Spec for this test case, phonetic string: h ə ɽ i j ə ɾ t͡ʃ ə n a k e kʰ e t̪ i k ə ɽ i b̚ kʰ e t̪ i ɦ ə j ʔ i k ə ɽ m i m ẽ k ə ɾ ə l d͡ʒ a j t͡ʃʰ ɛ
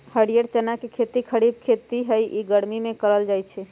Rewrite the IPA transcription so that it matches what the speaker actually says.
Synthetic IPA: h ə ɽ i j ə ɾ t͡ʃ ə n a k e kʰ e t̪ i kʰ ə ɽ i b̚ kʰ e t̪ i ɦ ə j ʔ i ɡ ə ɽ m i m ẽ k ə ɾ ə l d͡ʒ a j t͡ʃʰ ɛ